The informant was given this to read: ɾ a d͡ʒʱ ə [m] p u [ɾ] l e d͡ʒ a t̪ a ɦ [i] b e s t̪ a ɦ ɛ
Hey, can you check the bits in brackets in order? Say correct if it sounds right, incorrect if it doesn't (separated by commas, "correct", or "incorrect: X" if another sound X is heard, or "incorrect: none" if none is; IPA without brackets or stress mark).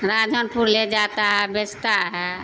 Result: incorrect: n, correct, incorrect: ɛ